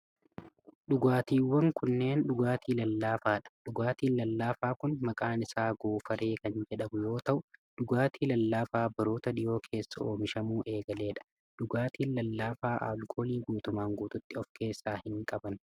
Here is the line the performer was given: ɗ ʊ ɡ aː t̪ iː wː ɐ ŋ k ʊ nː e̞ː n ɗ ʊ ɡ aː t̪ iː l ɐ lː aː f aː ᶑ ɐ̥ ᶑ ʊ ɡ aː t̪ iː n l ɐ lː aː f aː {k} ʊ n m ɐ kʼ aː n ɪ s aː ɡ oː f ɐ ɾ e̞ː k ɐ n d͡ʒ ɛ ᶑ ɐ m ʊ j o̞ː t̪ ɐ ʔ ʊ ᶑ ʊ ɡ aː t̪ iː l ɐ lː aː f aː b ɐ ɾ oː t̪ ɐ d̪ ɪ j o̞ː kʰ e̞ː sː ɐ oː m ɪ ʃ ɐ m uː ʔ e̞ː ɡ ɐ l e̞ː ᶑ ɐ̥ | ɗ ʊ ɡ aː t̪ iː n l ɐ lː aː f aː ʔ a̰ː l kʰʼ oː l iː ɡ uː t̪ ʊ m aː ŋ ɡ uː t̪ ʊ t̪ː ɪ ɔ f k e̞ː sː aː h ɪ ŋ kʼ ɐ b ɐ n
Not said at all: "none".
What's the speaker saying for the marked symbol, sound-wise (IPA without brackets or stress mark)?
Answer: k